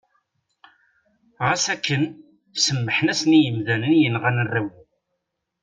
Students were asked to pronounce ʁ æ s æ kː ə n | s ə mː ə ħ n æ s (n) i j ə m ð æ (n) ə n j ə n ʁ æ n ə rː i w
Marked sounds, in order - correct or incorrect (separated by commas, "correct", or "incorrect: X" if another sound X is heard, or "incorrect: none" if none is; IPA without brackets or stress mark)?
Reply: correct, correct